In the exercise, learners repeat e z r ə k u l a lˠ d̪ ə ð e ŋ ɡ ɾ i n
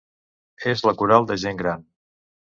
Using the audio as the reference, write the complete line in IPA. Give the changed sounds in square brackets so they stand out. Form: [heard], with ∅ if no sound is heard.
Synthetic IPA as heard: e z [l] ə k u [ɾ] a lˠ d̪ ə [ʒ] e ŋ ɡ ɾ [a] n